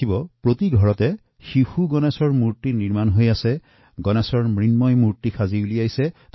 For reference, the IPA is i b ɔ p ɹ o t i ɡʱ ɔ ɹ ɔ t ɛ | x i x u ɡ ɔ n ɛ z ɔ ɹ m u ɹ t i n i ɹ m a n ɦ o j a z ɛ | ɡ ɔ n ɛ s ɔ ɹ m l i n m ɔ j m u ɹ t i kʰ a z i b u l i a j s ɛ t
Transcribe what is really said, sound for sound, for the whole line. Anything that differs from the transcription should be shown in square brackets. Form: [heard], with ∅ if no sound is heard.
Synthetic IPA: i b ɔ p ɹ o t i ɡʱ ɔ ɹ ɔ t ɛ | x i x u ɡ ɔ n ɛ [s] ɔ ɹ m u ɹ t i n i ɹ m a n ɦ o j a [s] ɛ | ɡ ɔ n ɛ s ɔ ɹ m [ɹ] i n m ɔ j m u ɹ t i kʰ a z i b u l i a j s ɛ t